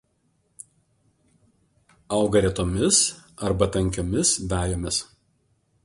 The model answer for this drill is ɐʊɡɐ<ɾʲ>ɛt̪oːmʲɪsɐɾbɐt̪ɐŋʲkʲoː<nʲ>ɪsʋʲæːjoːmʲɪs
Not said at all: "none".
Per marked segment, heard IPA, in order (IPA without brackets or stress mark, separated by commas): ɾʲ, mʲ